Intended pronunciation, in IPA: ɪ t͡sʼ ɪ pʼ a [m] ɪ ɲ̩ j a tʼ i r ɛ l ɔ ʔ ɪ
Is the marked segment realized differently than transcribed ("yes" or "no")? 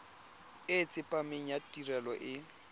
no